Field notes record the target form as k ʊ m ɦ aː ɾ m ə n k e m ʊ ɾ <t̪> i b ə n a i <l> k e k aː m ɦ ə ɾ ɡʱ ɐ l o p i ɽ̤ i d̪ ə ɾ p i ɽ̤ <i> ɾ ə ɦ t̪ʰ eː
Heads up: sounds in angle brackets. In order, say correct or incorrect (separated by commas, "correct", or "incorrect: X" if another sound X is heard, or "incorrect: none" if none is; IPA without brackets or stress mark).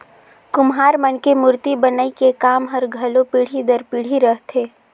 correct, incorrect: none, correct